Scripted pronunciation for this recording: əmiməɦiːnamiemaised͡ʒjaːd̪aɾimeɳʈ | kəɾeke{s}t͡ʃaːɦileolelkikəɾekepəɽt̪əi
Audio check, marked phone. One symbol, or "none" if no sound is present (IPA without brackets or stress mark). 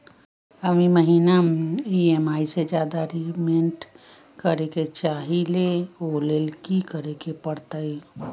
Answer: none